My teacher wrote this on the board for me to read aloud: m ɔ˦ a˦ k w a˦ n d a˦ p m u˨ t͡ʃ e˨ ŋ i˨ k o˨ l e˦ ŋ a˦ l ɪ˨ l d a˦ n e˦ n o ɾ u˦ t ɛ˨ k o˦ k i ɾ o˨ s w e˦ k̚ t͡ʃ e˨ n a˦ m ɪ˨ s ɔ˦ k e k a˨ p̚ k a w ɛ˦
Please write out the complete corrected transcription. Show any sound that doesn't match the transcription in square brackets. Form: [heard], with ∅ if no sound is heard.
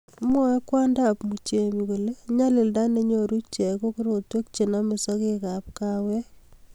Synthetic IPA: m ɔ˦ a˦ k w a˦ n d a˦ p m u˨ t͡ʃ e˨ [m] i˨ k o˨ l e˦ [ɲ] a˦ l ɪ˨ l d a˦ n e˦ [ɲ] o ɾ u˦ [t͡ʃ] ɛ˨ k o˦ k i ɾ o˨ [t] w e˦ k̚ t͡ʃ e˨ n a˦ m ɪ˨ s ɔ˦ k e k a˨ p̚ k a w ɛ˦